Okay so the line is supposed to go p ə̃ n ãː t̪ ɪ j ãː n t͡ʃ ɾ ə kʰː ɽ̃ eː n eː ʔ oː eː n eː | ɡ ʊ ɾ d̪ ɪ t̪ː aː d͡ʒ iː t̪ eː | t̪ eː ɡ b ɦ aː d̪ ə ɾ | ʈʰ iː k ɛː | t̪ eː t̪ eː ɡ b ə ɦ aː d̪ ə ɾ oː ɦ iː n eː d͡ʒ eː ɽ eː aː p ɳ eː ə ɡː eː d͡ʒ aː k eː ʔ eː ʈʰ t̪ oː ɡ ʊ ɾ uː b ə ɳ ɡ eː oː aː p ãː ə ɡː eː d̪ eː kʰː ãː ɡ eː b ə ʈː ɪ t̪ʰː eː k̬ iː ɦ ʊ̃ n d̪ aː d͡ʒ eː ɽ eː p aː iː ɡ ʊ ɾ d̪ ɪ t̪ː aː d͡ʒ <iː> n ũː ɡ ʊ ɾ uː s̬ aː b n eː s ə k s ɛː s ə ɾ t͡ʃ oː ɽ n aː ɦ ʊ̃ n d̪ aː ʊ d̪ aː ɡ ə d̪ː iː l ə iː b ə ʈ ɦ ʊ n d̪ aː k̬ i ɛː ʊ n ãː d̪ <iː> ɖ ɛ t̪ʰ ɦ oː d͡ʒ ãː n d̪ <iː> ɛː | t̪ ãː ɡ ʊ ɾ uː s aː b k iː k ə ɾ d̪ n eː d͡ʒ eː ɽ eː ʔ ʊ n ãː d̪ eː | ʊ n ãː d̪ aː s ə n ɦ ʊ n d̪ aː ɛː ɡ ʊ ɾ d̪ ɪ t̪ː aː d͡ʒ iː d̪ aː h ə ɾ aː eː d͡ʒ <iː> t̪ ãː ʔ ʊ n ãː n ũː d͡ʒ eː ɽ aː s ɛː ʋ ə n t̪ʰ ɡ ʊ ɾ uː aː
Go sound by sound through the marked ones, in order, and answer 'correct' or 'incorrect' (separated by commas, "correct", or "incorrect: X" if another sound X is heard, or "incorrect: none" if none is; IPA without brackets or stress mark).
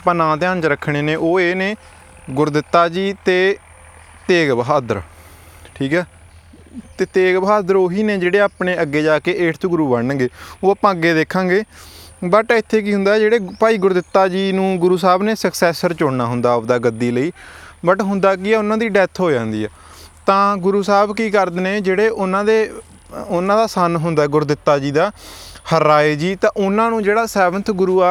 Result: correct, correct, correct, correct